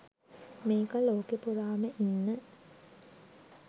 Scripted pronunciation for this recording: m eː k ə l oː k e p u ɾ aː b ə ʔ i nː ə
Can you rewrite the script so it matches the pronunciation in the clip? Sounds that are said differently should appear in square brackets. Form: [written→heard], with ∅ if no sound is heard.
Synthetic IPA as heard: m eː k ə l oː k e p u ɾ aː [b→m] ə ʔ i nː ə